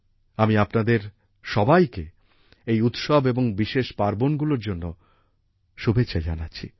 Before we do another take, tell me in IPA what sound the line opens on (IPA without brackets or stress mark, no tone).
a